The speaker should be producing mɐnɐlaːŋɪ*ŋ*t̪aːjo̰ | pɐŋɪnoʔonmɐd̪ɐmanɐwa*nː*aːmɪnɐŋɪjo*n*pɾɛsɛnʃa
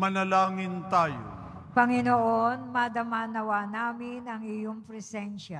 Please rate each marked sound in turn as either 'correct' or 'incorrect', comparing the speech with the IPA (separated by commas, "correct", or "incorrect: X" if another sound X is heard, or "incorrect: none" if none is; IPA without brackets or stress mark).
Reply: incorrect: n, incorrect: n, incorrect: ŋ